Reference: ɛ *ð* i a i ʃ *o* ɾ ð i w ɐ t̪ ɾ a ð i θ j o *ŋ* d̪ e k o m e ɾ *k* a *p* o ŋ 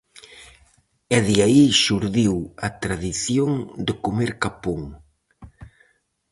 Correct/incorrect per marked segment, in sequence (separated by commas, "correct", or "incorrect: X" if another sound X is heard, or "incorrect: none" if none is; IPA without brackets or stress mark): correct, incorrect: u, correct, correct, correct